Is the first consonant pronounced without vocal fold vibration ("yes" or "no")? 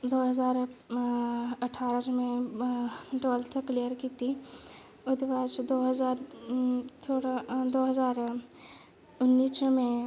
no